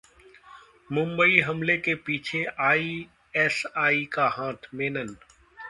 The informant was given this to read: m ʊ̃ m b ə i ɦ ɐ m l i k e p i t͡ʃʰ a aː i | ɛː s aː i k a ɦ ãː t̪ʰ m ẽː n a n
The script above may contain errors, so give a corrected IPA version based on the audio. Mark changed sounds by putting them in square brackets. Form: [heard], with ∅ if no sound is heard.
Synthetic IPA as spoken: m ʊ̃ m b ə i ɦ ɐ m l [e] k e p [iː] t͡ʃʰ [e] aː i | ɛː s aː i k a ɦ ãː t̪ʰ m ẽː n [ə] n